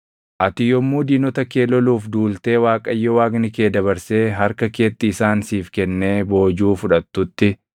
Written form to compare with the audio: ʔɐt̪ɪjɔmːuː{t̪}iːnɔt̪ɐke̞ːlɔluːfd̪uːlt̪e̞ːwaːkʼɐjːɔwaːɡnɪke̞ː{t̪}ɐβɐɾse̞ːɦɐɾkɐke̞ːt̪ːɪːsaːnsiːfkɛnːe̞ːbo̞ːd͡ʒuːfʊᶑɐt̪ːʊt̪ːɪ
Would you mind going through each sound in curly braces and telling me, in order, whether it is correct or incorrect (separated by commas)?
incorrect, incorrect